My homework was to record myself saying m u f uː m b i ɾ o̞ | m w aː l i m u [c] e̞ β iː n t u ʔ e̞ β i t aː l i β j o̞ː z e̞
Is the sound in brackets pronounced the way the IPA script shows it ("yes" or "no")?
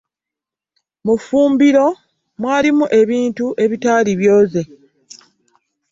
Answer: no